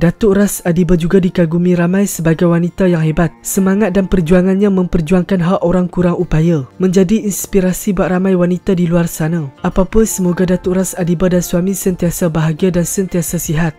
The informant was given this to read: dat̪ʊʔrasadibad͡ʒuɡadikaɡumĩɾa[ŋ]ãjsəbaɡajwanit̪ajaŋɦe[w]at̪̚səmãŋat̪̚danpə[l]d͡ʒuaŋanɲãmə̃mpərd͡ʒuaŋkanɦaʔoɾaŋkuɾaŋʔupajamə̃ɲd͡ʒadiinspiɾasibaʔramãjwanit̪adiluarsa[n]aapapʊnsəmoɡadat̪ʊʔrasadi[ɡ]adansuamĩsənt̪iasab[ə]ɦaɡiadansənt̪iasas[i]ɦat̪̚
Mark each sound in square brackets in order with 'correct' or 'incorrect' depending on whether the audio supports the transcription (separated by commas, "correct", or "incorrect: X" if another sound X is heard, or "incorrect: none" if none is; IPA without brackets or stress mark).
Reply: incorrect: m, incorrect: b, incorrect: r, correct, incorrect: b, incorrect: a, correct